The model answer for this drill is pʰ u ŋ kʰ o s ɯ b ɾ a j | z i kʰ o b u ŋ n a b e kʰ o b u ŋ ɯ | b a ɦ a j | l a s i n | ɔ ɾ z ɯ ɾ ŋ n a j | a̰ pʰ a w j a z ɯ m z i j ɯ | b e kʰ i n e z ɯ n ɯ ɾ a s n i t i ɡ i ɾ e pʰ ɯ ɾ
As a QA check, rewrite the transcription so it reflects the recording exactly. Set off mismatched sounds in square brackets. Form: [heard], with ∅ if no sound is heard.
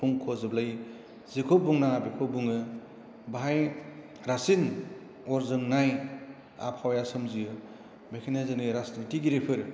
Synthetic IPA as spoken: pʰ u ŋ kʰ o [z] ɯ b [l] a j | z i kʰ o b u ŋ n a b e kʰ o b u ŋ ɯ | b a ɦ a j | [ɾ] a s i n | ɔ ɾ z ɯ [∅] ŋ n a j | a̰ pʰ a w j a [s] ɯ m z i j ɯ | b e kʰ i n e z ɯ n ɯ ɾ a s n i t i ɡ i ɾ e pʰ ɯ ɾ